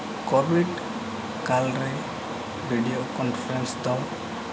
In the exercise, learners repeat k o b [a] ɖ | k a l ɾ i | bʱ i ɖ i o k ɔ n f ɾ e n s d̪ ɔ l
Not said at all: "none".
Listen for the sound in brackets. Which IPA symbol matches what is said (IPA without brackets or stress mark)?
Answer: i